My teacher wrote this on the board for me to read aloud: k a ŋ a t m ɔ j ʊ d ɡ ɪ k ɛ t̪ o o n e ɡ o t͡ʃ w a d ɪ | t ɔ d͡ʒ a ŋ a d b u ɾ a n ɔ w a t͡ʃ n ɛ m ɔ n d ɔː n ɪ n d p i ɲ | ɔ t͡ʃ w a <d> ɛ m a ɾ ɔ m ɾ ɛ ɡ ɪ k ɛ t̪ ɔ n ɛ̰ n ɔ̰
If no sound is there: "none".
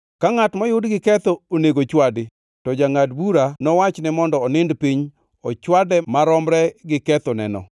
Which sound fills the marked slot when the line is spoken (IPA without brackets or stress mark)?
d